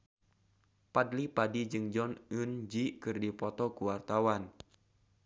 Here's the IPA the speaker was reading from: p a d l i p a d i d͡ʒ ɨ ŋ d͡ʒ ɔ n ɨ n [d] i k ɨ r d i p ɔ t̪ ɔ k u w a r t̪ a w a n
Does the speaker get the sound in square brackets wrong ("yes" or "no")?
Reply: yes